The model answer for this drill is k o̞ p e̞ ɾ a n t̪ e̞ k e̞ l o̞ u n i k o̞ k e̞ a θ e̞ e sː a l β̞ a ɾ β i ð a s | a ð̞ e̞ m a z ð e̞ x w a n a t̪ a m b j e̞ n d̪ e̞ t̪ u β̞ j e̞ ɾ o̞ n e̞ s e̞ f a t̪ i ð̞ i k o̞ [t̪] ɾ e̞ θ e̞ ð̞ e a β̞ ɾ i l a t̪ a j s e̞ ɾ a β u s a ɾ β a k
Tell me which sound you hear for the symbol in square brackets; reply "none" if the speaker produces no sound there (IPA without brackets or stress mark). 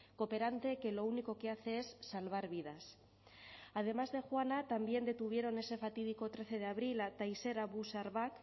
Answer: t̪